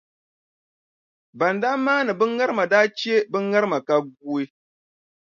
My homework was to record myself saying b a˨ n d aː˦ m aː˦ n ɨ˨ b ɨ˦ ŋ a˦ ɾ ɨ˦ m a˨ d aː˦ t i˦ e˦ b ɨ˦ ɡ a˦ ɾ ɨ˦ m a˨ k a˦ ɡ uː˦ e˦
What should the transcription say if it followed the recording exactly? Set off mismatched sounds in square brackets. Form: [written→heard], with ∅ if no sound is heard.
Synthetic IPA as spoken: b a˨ n d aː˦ m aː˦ n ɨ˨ b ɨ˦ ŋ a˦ ɾ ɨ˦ m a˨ d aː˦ [t→t͡ʃ] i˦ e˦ b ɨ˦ [ɡ→ŋ] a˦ ɾ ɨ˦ m a˨ k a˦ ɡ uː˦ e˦